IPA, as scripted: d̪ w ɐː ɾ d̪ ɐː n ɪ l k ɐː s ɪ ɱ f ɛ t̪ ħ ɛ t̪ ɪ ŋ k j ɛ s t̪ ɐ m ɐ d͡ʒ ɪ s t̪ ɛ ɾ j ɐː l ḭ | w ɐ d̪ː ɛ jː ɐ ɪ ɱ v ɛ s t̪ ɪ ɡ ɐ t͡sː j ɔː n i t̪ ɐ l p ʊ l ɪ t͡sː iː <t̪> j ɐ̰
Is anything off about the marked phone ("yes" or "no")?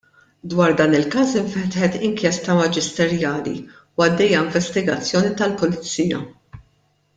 yes